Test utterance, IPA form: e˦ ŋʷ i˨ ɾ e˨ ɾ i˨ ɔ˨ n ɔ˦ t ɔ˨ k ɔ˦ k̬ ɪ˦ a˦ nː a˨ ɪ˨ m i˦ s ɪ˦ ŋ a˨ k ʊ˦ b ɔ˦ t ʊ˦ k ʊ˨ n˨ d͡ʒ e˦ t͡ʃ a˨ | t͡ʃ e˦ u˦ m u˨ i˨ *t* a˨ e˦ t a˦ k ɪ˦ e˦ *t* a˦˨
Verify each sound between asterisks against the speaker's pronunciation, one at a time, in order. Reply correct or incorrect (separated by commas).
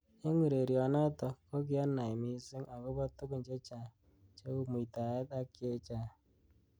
correct, incorrect